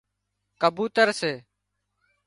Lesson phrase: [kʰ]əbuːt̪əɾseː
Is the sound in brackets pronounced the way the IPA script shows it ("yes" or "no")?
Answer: no